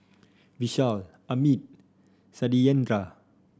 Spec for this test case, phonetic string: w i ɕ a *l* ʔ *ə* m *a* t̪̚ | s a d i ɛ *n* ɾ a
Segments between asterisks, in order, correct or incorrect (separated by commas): correct, incorrect, incorrect, correct